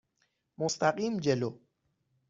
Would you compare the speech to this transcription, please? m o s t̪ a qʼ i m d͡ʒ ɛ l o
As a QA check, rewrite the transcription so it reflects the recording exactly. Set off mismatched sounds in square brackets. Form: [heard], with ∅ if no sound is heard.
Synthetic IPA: m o s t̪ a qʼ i m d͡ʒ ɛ l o